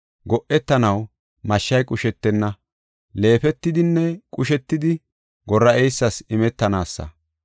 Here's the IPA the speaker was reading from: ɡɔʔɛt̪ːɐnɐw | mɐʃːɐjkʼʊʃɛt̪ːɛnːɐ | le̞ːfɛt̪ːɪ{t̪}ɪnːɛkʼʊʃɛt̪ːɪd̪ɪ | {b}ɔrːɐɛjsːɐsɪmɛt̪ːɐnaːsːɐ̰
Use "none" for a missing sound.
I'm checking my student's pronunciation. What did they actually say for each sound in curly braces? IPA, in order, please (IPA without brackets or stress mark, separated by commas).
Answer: d̪, ɡ